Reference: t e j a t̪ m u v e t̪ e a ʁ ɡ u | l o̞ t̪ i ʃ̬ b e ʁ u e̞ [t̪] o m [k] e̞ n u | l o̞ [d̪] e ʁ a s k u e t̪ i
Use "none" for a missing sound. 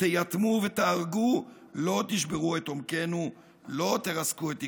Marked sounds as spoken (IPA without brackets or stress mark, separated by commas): t̪, k, t̪